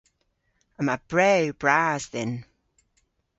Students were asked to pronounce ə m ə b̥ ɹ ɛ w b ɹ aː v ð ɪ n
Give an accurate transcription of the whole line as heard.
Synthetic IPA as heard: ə m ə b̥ ɹ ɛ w b ɹ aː z ð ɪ n